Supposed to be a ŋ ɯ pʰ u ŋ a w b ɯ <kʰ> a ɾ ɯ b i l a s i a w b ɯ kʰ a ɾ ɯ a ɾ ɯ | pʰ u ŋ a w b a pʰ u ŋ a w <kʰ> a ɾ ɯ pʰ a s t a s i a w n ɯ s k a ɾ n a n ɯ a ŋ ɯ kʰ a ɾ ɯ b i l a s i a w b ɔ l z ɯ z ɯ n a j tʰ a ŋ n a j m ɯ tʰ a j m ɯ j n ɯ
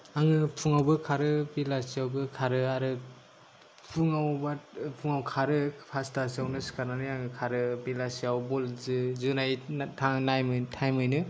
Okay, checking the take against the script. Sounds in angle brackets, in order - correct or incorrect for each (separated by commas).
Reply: correct, correct